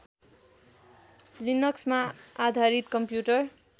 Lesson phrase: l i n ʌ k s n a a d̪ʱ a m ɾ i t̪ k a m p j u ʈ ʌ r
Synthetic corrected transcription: l i n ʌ k s m a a d̪ʱ a ɾ i t̪ k ʌ m p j u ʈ ʌ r